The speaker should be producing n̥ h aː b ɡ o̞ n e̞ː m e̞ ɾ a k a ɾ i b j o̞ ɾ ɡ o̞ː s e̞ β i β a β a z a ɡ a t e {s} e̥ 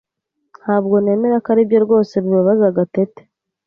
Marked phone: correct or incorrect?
incorrect